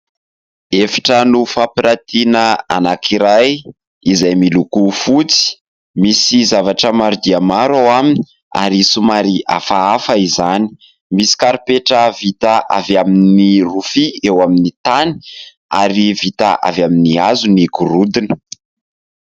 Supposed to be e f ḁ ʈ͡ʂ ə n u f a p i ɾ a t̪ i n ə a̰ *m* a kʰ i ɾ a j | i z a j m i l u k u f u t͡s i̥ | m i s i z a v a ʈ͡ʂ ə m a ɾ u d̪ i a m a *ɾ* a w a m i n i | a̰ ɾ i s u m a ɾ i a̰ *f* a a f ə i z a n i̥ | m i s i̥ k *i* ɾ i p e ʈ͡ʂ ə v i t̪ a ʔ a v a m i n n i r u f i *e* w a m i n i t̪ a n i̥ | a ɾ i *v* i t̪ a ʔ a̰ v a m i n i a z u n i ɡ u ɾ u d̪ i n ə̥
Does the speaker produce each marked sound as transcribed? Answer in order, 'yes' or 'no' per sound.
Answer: no, yes, yes, no, yes, yes

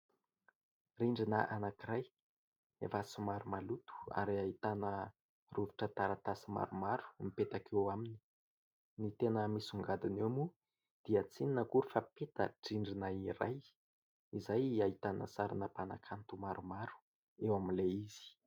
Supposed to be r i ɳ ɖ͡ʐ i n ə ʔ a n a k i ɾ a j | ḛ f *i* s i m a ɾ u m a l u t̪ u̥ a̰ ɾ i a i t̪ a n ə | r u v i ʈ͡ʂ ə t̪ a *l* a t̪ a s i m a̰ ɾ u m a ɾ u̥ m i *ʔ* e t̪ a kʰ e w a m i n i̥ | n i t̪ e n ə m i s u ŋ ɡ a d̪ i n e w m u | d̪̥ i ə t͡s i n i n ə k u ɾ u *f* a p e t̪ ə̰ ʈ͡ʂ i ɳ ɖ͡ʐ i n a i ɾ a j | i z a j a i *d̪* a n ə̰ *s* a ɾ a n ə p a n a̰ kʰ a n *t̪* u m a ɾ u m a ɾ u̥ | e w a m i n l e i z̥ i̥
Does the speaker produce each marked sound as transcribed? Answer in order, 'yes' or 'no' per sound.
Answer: no, no, no, yes, no, yes, yes

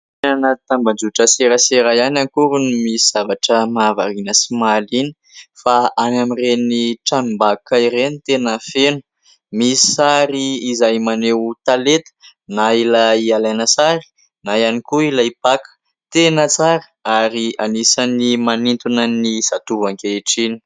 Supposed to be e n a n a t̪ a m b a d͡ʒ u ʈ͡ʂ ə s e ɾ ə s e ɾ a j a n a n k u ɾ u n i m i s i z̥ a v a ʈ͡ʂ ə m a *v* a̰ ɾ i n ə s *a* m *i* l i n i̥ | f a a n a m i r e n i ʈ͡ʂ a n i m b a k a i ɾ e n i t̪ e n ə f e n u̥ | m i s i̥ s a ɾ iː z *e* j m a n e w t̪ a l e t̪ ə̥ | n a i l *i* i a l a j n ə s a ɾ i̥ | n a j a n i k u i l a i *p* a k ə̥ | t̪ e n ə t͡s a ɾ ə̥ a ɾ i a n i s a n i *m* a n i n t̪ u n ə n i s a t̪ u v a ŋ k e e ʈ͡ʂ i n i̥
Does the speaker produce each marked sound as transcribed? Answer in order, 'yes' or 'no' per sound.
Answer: yes, no, no, no, no, yes, yes

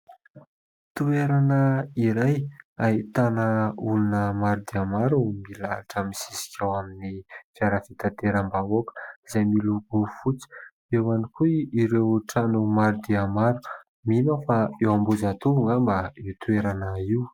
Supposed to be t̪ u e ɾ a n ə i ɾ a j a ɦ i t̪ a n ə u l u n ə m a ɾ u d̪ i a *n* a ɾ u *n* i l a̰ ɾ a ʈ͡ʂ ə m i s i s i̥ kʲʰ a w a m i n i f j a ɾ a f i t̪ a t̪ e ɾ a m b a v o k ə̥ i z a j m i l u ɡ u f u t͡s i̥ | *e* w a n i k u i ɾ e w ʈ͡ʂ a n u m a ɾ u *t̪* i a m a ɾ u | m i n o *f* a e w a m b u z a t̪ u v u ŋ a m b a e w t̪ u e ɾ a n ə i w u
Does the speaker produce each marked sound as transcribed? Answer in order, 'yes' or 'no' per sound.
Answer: no, no, yes, no, yes

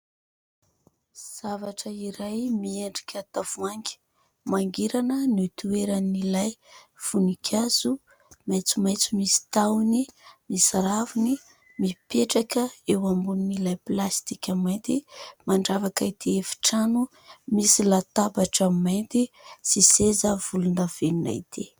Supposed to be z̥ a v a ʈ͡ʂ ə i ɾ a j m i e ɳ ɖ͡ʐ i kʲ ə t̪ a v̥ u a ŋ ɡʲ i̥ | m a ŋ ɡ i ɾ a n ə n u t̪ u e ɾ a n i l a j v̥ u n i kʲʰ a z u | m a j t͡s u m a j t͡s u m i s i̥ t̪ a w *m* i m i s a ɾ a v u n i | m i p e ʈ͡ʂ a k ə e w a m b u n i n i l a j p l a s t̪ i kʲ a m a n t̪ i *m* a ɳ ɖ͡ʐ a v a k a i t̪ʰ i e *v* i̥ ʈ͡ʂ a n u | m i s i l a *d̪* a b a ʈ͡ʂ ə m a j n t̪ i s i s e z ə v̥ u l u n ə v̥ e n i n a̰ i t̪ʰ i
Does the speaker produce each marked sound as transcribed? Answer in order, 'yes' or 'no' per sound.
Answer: no, yes, no, no

